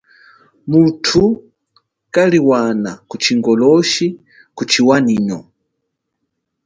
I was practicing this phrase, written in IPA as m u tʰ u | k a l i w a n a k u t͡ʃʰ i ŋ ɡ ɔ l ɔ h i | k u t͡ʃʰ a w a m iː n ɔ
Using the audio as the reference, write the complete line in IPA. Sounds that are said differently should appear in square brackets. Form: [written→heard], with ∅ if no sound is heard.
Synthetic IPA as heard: m u tʰ u | k a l i w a n a k u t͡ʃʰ i ŋ ɡ ɔ l ɔ [h→ʃ] i | k u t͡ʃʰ [a→i] w a [m→n] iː n ɔ